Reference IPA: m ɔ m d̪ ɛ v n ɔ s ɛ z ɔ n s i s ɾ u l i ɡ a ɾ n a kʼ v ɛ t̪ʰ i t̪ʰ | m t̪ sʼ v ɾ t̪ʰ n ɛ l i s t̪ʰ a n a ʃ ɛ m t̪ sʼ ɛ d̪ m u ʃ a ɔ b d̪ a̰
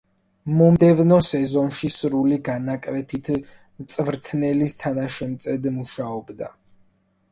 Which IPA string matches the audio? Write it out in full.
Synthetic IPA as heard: m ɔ m d̪ ɛ v n ɔ s ɛ z ɔ n ʃ i s ɾ u l i ɡ a n a kʼ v ɛ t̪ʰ i t̪ʰ | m t̪ sʼ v ɾ t̪ʰ n ɛ l i s t̪ʰ a n a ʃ ɛ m t̪ sʼ ɛ d̪ m u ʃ a ɔ b d̪ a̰

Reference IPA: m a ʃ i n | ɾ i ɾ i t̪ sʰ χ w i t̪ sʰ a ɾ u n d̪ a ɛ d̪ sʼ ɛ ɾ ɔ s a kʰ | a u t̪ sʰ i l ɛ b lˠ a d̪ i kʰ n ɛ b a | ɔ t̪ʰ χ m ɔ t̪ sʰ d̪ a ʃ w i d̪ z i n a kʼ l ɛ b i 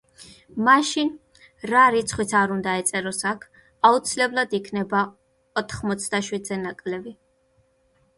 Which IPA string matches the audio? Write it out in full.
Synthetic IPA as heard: m a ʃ i n | ɾ a ɾ i t̪ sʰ χ w i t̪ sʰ a ɾ u n d̪ a ɛ t̪ sʼ ɛ ɾ ɔ s a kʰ | a u t̪ sʰ i l ɛ b lˠ a d̪ i kʰ n ɛ b a | ɔ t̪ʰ χ m ɔ t̪ sʰ d̪ a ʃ w i d̪ z ɛ n a kʼ l ɛ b i

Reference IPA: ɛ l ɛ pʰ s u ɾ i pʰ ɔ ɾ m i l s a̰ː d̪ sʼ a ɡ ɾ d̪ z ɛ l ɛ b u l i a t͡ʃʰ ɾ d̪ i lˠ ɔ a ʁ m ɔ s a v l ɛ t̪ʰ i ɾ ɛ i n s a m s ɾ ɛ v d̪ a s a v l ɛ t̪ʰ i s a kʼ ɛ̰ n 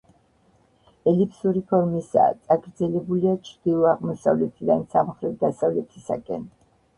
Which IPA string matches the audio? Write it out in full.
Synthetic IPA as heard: ɛ l i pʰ s u ɾ i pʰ ɔ ɾ m i s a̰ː t̪ sʼ a ɡ ɾ d̪ z ɛ l ɛ b u l i a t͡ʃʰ ɾ d̪ i lˠ ɔ a ʁ m ɔ s a v l ɛ t̪ʰ i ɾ a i n s a m χ ɾ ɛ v d̪ a s a v l ɛ t̪ʰ i s a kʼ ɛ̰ n

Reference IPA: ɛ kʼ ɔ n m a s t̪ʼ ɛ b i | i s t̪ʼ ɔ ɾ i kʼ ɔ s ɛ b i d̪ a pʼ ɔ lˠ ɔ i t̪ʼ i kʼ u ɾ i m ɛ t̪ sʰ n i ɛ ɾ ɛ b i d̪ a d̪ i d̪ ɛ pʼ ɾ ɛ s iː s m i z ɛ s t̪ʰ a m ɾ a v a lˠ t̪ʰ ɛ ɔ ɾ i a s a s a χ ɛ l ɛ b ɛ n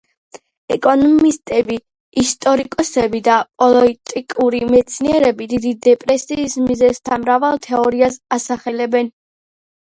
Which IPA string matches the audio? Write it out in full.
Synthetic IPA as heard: ɛ kʼ ɔ n m i s t̪ʼ ɛ b i | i s t̪ʼ ɔ ɾ i kʼ ɔ s ɛ b i d̪ a pʼ ɔ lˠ ɔ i t̪ʼ i kʼ u ɾ i m ɛ t̪ sʰ n i ɛ ɾ ɛ b i d̪ i d̪ i d̪ ɛ pʼ ɾ ɛ s iː s m i z ɛ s t̪ʰ a m ɾ a v a lˠ t̪ʰ ɛ ɔ ɾ i a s a s a χ ɛ l ɛ b ɛ n

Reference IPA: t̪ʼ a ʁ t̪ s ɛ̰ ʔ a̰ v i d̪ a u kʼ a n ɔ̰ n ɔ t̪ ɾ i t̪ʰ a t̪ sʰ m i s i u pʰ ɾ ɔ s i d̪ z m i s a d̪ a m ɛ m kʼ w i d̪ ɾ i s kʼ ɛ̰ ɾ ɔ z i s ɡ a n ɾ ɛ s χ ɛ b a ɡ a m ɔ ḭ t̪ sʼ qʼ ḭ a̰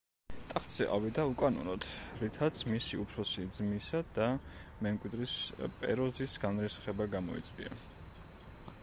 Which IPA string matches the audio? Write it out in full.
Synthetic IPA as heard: t̪ʼ a χ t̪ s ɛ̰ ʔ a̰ v i d̪ a u kʼ a n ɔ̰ n ɔ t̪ ɾ i t̪ʰ a t̪ sʰ m i s i u pʰ ɾ ɔ s i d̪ z m i s a d̪ a m ɛ m kʼ w i d̪ ɾ i s pʼ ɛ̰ ɾ ɔ z i s ɡ a n ɾ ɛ s χ ɛ b a ɡ a m ɔ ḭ t̪ sʼ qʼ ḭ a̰

